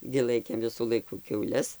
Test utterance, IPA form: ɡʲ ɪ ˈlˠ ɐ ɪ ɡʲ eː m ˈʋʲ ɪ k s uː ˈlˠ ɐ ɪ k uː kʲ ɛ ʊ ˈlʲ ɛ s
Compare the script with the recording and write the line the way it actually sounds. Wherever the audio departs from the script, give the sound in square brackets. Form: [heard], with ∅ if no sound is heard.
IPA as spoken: ɡʲ ɪ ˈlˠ ɐ ɪ [kʲ] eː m ˈʋʲ ɪ [∅] s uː ˈlˠ ɐ ɪ k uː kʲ ɛ ʊ ˈlʲ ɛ s